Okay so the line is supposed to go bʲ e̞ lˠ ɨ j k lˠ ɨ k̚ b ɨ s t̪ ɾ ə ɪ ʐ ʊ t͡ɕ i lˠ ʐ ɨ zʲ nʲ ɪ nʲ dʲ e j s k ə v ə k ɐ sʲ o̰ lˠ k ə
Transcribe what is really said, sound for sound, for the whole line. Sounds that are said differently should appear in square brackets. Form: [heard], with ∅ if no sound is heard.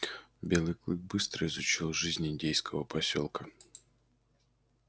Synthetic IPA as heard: bʲ e̞ lˠ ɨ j k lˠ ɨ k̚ b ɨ s t̪ ɾ ə ɪ [z] ʊ t͡ɕ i lˠ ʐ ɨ zʲ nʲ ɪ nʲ dʲ e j s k ə v ə [p] ɐ sʲ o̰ lˠ k ə